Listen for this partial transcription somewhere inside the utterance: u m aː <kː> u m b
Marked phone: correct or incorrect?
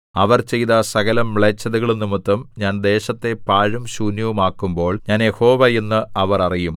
correct